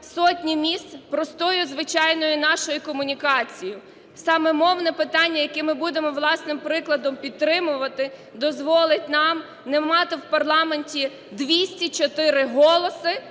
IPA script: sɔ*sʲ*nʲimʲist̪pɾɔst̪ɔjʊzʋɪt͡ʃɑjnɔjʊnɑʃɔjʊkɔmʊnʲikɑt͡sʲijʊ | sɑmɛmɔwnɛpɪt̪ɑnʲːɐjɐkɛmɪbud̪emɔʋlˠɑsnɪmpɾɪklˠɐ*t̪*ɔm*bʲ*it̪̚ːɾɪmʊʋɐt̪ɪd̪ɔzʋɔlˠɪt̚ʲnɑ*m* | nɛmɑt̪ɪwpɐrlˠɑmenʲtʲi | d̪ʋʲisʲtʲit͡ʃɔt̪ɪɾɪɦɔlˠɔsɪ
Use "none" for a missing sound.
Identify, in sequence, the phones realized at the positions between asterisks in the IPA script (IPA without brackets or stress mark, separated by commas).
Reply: tʲ, d̪, pʲ, m